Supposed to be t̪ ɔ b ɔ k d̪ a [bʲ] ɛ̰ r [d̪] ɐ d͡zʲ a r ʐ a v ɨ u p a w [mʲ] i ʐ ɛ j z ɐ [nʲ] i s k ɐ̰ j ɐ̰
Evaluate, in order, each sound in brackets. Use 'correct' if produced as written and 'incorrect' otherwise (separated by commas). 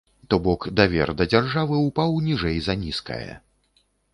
incorrect, correct, incorrect, correct